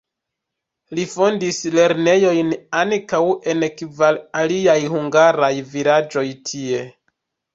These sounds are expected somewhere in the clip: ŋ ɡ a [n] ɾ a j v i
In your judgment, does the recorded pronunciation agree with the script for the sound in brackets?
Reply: no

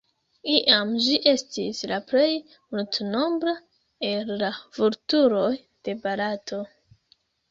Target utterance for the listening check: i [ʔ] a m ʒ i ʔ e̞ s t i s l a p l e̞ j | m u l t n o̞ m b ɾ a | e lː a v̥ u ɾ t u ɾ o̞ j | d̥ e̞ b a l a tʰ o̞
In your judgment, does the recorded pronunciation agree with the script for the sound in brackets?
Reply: yes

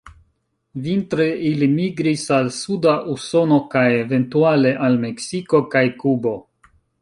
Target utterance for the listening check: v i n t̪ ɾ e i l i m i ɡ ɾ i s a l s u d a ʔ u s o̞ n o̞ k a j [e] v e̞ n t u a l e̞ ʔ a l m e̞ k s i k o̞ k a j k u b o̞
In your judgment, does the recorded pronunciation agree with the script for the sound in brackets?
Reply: yes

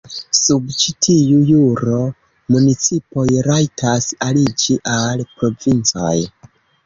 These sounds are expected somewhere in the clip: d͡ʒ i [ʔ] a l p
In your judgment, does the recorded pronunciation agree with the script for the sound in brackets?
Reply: yes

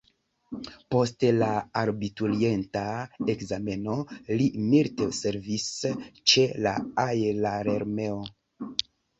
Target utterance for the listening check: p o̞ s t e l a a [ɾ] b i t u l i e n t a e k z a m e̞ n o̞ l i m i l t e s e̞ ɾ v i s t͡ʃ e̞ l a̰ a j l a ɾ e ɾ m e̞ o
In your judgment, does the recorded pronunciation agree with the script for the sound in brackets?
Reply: yes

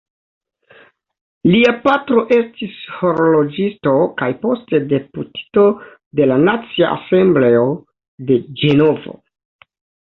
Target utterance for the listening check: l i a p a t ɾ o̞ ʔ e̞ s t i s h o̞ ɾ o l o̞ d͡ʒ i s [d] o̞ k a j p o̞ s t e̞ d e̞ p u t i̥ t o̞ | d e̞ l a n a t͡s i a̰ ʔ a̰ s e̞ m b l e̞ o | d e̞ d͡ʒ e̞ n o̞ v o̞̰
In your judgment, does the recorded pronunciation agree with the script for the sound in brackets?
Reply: no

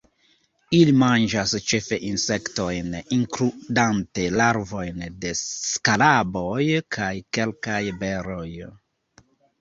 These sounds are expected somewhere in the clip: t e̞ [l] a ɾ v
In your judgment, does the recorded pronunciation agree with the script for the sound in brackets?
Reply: yes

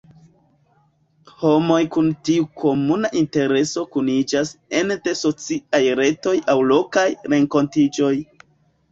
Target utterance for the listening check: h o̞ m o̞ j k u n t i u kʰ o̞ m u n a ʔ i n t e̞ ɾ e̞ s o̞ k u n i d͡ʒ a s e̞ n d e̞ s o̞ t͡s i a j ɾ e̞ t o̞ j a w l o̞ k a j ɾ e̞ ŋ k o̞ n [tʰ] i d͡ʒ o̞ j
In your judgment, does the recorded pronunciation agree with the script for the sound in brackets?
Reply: no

